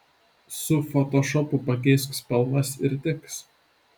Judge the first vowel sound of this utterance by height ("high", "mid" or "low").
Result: high